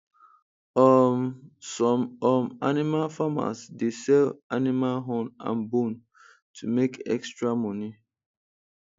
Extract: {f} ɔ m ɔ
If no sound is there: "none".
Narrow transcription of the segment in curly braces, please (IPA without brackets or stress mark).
s